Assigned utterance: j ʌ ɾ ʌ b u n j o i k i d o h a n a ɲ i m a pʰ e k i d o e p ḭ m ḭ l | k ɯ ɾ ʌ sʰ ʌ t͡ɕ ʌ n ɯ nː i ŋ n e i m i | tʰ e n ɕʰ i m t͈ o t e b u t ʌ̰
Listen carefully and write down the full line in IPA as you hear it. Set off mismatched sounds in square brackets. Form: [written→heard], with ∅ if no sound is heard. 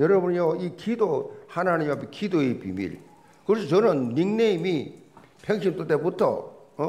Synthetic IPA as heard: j ʌ ɾ ʌ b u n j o i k i d o h a n a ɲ i m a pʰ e k i d o e p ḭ m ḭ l | k ɯ ɾ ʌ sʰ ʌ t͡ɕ ʌ n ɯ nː i ŋ n e i m i | [tʰ→pʰ] e [n→ŋ] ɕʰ i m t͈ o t e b u [t→tʰ] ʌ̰